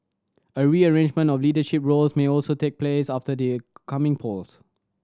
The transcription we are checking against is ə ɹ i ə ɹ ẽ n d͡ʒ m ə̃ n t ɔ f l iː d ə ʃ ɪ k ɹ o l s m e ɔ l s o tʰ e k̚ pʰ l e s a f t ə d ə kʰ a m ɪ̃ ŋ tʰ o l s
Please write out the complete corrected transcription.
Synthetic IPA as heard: ə ɹ i ə ɹ ẽ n d͡ʒ m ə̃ n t ɔ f l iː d ə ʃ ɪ p ɹ o l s m e ɔ l s o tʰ e k̚ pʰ l e s a f t ə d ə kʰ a m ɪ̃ ŋ pʰ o l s